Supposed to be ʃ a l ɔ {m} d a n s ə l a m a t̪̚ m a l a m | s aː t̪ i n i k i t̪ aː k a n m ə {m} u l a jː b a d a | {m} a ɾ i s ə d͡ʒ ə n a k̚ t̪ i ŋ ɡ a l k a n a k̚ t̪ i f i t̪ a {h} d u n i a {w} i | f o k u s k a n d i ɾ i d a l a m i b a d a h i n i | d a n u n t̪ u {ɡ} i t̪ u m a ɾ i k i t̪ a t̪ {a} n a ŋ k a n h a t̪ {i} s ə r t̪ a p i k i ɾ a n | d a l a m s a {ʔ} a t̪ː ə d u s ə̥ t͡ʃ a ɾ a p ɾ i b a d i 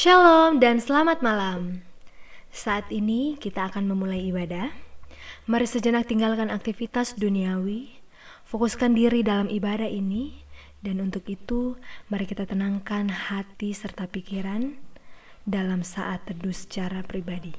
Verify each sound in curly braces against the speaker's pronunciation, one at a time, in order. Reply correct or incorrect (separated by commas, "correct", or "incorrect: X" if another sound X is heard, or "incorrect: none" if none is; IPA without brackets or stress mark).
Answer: correct, correct, correct, incorrect: s, correct, incorrect: k, incorrect: ə, correct, correct